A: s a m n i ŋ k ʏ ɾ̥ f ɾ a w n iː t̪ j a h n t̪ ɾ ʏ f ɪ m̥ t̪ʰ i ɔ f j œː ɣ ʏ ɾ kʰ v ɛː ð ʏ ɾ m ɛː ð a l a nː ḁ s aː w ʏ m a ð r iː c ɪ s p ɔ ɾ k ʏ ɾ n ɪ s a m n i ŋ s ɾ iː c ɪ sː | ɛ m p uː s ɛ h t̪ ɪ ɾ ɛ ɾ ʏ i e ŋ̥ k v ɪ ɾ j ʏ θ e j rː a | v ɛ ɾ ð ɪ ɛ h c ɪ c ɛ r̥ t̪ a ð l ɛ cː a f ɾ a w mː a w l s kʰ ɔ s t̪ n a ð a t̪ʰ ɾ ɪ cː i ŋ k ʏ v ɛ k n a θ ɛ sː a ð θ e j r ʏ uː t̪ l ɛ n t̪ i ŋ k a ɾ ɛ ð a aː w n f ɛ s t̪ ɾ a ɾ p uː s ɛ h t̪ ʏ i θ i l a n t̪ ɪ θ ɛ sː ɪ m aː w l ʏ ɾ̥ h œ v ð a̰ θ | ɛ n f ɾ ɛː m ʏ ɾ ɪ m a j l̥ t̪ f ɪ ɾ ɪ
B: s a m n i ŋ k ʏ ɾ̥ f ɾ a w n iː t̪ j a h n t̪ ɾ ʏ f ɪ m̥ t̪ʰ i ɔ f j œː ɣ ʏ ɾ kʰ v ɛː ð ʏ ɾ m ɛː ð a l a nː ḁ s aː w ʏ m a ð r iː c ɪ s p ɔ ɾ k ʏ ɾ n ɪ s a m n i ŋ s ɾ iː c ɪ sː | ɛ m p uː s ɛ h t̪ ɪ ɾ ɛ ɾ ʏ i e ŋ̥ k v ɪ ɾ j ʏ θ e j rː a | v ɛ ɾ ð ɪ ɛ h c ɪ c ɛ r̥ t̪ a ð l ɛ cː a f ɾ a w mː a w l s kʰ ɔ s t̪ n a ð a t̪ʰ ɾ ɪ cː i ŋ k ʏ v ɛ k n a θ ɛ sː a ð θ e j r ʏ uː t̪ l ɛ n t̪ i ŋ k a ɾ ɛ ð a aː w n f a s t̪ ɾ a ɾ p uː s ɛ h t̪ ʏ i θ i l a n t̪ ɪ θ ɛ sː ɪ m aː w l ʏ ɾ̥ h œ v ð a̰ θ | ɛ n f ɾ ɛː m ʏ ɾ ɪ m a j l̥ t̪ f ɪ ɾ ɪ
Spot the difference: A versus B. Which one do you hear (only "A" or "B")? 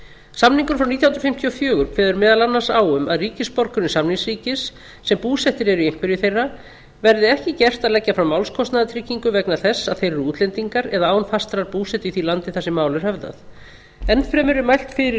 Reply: B